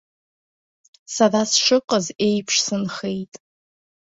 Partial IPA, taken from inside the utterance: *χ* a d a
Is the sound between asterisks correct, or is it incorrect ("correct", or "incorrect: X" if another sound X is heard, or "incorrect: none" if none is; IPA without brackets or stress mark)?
incorrect: s